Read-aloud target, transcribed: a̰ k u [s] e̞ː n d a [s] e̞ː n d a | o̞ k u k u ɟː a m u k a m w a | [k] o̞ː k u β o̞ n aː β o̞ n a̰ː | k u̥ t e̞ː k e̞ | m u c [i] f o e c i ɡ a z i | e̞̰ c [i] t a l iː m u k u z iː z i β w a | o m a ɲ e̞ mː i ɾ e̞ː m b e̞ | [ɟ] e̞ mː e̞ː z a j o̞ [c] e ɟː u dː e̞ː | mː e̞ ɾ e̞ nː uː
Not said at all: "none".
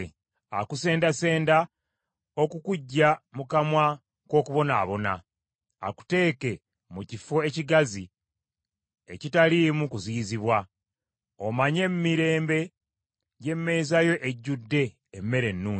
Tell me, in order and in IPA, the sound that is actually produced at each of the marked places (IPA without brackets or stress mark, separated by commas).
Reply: s, s, k, i, i, ɟ, ʔ